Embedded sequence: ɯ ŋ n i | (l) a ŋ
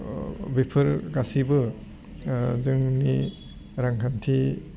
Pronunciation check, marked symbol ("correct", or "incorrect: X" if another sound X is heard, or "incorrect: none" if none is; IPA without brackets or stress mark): incorrect: ɾ